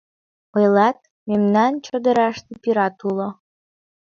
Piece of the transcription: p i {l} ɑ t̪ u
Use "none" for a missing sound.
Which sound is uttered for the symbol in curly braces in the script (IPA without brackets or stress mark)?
ɾ